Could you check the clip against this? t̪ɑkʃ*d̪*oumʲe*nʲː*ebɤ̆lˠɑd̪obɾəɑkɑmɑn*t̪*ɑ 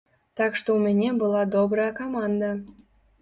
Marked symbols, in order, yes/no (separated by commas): no, no, no